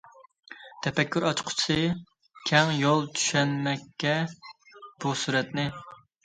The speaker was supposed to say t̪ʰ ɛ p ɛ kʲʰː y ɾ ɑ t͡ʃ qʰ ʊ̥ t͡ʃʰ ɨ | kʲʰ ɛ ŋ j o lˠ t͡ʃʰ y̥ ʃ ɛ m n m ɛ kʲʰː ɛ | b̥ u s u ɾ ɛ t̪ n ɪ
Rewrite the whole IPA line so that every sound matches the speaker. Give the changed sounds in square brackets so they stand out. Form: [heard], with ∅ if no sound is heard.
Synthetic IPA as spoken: t̪ʰ ɛ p ɛ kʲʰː y ɾ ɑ t͡ʃ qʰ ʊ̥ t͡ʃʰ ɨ | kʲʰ ɛ ŋ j o lˠ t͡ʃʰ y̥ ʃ ɛ [∅] n m ɛ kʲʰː ɛ | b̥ u s u ɾ ɛ t̪ n ɪ

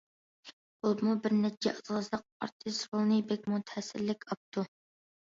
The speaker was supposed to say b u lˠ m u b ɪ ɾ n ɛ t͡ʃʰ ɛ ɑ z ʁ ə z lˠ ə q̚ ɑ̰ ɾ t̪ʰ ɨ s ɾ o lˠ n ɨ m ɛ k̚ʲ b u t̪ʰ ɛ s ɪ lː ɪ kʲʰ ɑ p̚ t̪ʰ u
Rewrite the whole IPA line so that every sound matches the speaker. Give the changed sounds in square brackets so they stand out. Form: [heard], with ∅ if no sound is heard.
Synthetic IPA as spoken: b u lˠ m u b ɪ ɾ n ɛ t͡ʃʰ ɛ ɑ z ʁ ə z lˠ ə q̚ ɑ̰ ɾ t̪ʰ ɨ s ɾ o lˠ n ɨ [b] ɛ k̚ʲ [m] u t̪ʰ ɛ s ɪ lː ɪ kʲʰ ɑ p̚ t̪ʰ u

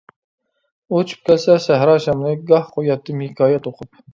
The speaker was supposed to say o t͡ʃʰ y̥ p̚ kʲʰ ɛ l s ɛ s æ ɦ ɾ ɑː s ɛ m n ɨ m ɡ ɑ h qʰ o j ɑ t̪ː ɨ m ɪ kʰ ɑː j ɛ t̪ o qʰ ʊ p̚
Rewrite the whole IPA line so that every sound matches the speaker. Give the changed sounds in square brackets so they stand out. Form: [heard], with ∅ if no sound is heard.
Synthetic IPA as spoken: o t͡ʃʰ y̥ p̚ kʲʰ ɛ l s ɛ s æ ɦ ɾ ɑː [ʃ] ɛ m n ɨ [∅] ɡ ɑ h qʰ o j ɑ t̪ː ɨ m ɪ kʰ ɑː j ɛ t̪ o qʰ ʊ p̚

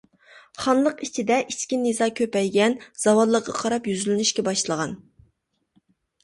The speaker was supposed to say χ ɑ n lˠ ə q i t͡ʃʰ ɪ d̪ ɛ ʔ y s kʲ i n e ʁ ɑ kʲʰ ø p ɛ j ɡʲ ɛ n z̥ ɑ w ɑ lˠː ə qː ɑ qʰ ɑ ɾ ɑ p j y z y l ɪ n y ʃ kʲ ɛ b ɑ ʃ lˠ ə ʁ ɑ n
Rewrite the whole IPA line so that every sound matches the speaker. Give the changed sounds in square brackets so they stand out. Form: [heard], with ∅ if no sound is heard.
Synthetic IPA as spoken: χ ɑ n lˠ ə q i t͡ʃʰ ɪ d̪ ɛ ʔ [i] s kʲ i n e [z] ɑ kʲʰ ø p ɛ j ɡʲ ɛ n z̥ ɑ w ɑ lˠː ə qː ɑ qʰ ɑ ɾ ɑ p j y z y l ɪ n y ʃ kʲ ɛ b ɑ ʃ lˠ ə ʁ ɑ n

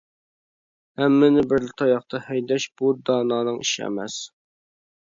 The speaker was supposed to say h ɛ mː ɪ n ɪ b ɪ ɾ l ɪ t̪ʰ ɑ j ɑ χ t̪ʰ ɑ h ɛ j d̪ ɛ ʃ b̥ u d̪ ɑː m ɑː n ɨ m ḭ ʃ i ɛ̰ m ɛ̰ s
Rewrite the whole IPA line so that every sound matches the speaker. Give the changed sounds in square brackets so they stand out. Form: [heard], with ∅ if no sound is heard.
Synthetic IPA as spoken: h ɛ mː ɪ n ɪ b ɪ ɾ l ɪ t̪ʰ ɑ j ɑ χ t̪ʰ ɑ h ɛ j d̪ ɛ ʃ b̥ u d̪ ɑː [n] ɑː n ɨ [ŋ] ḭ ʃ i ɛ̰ m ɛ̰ s

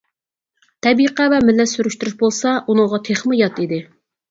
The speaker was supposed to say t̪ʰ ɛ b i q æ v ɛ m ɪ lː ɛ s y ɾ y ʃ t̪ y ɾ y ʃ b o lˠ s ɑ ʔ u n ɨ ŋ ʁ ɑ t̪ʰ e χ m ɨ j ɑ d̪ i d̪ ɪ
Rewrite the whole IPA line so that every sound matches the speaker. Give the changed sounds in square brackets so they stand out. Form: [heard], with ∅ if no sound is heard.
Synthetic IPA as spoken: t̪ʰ ɛ b i q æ v ɛ m ɪ lː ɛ s y ɾ y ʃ t̪ y ɾ y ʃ b o lˠ s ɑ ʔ u n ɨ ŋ ʁ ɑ t̪ʰ e χ m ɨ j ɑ [t̪] i d̪ ɪ

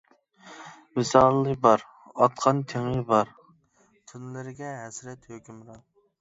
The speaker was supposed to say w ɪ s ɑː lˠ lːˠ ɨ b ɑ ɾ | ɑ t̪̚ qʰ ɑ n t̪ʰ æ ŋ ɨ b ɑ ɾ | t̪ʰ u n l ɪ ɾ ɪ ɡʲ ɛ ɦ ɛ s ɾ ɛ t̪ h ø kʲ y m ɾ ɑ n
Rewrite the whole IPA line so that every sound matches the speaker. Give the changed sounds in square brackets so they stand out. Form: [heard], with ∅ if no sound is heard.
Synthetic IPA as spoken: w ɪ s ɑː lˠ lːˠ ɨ b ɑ ɾ | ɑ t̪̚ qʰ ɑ n t̪ʰ [e] ŋ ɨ b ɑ ɾ | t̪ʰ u n l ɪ ɾ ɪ ɡʲ ɛ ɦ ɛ s ɾ ɛ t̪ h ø kʲ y m ɾ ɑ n

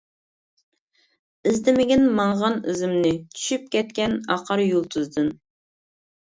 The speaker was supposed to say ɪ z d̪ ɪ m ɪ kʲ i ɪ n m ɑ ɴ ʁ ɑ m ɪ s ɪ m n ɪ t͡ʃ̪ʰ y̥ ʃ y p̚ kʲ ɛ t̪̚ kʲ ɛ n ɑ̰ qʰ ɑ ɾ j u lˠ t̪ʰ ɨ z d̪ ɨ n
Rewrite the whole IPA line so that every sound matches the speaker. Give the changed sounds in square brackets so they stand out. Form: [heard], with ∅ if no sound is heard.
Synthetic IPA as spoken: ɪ z d̪ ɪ m ɪ [ɡʲ] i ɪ n m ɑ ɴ ʁ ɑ [n] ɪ [z] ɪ m n ɪ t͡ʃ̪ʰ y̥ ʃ y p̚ kʲ ɛ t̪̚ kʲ ɛ n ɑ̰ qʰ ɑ ɾ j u lˠ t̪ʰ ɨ z d̪ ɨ n

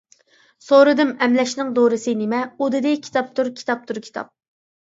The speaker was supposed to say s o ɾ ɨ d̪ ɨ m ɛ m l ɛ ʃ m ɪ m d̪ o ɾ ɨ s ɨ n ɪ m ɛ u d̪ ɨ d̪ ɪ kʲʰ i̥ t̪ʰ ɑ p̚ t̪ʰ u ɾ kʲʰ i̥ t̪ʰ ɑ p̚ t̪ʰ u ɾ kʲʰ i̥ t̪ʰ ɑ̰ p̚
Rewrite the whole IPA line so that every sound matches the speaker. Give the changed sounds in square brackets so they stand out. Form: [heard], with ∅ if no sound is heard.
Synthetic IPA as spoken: s o ɾ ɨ d̪ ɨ m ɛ m l ɛ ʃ [n] ɪ [ŋ] d̪ o ɾ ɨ s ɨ n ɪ m ɛ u d̪ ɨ d̪ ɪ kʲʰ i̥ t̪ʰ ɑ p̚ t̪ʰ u ɾ kʲʰ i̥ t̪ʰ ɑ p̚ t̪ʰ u ɾ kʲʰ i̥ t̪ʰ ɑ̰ p̚

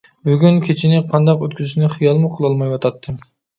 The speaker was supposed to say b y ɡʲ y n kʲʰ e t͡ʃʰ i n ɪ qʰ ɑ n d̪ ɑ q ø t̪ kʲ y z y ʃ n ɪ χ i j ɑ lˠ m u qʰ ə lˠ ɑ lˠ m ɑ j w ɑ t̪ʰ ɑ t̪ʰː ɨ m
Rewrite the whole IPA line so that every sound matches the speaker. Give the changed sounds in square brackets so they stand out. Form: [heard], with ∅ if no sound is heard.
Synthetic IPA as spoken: b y ɡʲ y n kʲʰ e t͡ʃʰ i n ɪ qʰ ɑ n d̪ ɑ q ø t̪ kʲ y z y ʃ n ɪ χ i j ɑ lˠ m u qʰ ə lˠ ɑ lˠ m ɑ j w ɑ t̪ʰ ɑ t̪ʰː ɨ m

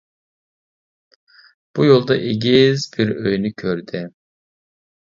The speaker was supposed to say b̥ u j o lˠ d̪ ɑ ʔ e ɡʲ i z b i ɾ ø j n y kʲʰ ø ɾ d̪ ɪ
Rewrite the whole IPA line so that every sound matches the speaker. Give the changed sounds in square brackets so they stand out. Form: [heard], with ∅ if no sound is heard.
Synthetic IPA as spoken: b̥ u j o lˠ d̪ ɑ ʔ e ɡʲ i z b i ɾ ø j n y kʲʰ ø ɾ d̪ ɪ

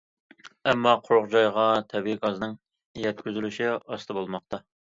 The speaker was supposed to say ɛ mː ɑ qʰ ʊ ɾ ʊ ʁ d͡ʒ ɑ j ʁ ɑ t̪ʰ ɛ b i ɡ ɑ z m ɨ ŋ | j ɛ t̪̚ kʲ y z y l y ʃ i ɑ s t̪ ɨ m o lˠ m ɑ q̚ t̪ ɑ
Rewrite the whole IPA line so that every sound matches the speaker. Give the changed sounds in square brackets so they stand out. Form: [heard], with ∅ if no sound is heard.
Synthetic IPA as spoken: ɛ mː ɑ qʰ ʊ ɾ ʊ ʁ d͡ʒ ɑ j ʁ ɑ t̪ʰ ɛ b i ɡ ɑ z [n] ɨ ŋ | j ɛ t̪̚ kʲ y z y l y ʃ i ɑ s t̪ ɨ [b] o lˠ m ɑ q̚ t̪ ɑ

